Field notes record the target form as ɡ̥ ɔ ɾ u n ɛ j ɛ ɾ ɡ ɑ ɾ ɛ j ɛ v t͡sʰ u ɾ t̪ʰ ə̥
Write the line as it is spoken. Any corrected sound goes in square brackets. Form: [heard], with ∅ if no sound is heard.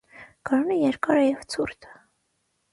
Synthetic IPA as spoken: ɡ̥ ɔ ɾ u n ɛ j ɛ ɾ [k] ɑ ɾ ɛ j ɛ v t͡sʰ u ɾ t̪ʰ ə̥